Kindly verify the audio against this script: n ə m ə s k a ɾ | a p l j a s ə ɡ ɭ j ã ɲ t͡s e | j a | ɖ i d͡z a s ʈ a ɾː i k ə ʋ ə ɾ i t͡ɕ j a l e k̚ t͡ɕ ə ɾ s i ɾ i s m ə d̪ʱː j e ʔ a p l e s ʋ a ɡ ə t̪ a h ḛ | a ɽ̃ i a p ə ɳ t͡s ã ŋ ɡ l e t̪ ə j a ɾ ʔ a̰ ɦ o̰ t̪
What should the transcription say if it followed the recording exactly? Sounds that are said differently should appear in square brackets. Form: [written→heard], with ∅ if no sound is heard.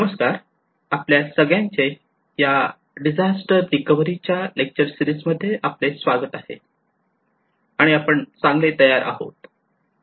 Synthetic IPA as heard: n ə m ə s k a ɾ | a p l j a s ə ɡ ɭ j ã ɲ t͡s e | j a | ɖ i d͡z a s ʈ [a→ə] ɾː i k ə ʋ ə ɾ i t͡ɕ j a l e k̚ t͡ɕ ə ɾ s i ɾ i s m ə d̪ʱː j e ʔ a p l e s ʋ a ɡ ə t̪ a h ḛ | a ɽ̃ i a p ə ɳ t͡s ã ŋ ɡ l e t̪ ə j a ɾ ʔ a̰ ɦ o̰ t̪

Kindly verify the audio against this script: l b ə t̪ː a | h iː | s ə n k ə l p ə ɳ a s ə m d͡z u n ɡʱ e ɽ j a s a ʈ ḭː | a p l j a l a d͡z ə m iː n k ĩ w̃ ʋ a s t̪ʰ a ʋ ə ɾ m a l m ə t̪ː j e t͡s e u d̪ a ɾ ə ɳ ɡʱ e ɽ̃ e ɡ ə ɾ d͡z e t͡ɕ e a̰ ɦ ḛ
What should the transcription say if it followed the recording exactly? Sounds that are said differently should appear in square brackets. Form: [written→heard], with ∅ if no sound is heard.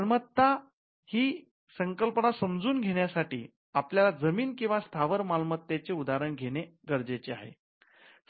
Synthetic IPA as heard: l [b→m] ə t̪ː a | h iː | s ə [n→ŋ] k ə l p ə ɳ a s ə m d͡z [u→uː] n ɡʱ e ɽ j a s a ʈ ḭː | a p l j a l a d͡z ə m iː n k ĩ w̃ ʋ a s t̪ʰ a ʋ ə ɾ m a l m ə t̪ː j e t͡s e u d̪ a ɾ ə ɳ ɡʱ e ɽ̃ e ɡ ə ɾ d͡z e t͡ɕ e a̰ ɦ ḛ

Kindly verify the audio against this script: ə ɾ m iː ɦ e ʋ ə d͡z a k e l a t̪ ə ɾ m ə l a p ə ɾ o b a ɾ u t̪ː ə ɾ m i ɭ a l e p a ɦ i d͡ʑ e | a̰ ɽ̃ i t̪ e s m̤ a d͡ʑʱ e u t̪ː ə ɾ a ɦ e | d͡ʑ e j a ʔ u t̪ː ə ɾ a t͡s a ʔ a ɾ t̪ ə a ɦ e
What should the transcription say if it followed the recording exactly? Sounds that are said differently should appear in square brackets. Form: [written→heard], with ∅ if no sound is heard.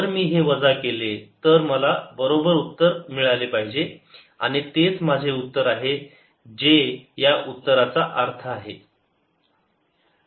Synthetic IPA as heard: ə ɾ m iː ɦ e ʋ ə d͡z a k e l [a→e] t̪ ə ɾ m ə l a [p→b] ə ɾ o b [a→ə] ɾ u t̪ː ə ɾ m i ɭ a l e p a ɦ i d͡ʑ e | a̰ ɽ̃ i t̪ e [s→t͡s] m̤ a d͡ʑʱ e u t̪ː ə ɾ a ɦ e | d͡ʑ e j a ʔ u t̪ː ə ɾ a t͡s a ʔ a ɾ [t̪→t̪ʰ] ə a ɦ e

